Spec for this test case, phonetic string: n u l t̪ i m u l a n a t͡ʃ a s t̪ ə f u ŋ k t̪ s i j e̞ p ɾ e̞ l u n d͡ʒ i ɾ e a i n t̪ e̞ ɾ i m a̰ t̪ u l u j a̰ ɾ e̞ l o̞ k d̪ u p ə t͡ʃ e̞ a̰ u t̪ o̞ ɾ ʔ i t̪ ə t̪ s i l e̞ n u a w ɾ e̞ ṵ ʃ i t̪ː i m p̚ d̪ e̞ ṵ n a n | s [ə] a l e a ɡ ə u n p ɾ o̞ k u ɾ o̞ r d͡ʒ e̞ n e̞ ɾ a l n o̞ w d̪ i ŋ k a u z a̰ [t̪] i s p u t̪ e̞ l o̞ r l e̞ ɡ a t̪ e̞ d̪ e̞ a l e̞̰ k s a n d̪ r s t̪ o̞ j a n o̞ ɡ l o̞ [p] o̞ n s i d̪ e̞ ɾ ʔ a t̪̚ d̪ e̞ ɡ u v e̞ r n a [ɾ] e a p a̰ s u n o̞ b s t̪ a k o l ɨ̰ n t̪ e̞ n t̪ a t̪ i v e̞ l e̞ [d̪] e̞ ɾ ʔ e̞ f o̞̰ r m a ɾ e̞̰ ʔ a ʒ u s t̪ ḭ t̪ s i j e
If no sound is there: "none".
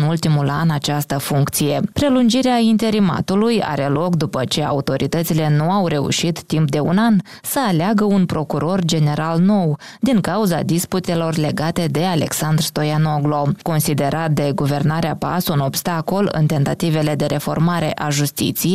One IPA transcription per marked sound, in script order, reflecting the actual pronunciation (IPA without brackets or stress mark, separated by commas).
ə, d̪, k, ɾ, d̪